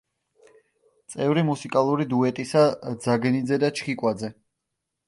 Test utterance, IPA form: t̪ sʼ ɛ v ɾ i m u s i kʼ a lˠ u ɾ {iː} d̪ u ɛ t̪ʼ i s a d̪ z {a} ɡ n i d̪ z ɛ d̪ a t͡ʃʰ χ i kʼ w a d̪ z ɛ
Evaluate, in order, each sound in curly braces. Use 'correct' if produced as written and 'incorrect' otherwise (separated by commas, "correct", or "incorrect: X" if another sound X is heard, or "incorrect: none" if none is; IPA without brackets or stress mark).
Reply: incorrect: i, correct